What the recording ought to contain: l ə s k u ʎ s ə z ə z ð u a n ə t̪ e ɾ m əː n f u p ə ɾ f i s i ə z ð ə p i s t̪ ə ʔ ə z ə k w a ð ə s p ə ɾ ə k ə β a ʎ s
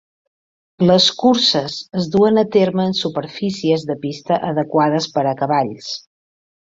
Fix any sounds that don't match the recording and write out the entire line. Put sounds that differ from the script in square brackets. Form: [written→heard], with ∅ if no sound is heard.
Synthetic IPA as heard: l ə s k u [ʎ→ɾ] s ə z ə z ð u [a→ə] n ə t̪ e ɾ m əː n [f→s] u p ə ɾ f i s i ə z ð ə p i s t̪ ə ʔ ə [z→ð] ə k w a ð ə s p ə ɾ ə k ə β a ʎ s